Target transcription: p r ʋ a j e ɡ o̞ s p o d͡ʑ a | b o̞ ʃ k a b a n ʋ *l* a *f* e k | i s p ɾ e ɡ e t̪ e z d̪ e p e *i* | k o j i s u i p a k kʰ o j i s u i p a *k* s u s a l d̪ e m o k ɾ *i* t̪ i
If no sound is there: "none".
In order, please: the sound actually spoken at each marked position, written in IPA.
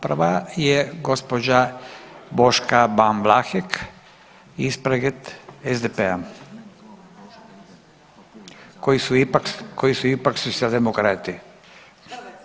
l, x, a, k, a

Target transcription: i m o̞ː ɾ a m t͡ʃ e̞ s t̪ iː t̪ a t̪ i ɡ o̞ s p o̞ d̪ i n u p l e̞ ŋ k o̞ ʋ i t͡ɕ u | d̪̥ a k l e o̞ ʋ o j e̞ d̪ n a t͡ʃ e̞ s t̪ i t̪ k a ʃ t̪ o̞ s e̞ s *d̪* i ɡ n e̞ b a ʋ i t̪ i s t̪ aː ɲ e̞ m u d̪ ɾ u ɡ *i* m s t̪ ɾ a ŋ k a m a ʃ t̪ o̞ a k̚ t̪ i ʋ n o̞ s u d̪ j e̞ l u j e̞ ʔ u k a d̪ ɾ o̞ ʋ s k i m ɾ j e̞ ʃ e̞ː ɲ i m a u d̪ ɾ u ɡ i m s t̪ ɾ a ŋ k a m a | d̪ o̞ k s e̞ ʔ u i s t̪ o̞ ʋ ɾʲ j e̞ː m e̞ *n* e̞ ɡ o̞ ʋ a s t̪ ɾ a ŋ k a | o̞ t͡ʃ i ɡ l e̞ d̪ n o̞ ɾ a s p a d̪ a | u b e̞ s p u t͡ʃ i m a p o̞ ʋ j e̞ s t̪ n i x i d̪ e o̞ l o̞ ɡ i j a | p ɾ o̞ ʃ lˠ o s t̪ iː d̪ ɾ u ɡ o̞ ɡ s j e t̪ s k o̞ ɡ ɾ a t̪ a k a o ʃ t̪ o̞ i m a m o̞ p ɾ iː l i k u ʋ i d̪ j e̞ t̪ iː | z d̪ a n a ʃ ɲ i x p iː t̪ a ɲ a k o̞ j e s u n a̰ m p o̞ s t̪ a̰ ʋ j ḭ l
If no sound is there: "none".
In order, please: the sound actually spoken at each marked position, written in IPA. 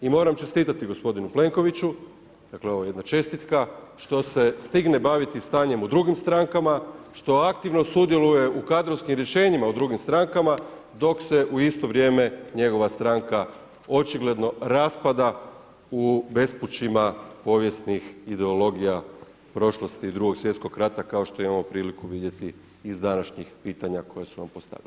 t̪, i, ɲ

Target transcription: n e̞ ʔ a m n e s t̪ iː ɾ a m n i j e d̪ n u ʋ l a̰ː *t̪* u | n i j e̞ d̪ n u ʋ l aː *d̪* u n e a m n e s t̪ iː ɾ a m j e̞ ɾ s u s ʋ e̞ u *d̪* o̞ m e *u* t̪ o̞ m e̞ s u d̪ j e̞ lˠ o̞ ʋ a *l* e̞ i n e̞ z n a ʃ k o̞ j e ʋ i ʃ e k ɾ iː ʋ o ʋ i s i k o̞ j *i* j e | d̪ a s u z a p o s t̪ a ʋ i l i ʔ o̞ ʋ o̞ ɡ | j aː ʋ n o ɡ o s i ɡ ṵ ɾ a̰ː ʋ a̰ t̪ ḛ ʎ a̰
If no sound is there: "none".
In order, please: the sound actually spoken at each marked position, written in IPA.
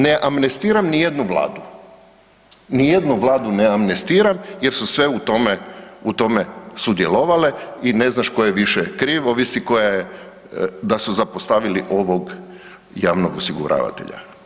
d̪, d̪, t̪, u, l, a

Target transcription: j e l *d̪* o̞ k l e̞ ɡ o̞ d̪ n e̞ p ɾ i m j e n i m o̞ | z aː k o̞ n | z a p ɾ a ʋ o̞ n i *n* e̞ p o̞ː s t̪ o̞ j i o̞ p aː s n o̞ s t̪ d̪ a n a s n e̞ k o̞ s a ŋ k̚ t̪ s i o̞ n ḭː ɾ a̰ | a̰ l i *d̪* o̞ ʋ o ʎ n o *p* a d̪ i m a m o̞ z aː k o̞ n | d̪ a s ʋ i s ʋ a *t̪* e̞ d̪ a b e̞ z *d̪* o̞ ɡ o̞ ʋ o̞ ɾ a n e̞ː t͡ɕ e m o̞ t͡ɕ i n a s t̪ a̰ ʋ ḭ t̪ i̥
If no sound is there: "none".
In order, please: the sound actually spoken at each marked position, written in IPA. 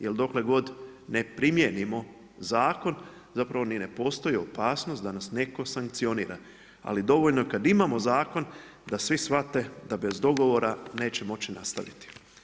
d̪, n, d̪, k, t̪, d̪

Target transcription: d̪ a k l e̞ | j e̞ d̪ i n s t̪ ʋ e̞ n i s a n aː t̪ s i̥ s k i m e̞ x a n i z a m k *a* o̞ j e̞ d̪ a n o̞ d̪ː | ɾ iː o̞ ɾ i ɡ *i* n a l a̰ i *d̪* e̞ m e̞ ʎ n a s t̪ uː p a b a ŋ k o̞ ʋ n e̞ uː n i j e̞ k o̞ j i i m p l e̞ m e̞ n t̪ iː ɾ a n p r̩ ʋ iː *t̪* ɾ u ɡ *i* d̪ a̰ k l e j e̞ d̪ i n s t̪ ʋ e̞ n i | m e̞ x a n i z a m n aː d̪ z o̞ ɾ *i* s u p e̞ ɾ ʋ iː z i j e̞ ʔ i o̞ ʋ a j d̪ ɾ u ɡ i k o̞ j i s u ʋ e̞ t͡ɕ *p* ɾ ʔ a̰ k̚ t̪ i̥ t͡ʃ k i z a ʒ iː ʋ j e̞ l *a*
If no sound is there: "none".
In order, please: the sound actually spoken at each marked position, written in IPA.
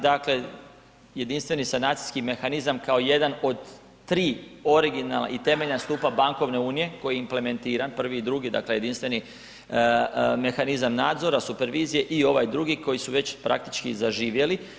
a, i, t̪, d̪, i, a, p, i

